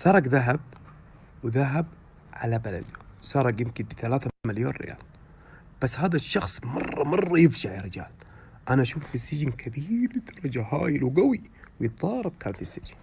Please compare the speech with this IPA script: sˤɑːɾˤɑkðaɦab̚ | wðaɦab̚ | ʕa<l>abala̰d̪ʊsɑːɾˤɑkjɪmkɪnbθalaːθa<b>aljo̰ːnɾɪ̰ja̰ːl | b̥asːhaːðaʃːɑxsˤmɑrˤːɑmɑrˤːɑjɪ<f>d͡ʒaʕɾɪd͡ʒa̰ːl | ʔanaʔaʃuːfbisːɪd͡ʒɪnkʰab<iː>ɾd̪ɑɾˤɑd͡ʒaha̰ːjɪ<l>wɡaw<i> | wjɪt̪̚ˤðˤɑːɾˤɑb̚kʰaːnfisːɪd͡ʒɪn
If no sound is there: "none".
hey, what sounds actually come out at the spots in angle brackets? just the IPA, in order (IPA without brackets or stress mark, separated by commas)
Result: l, m, f, iː, l, i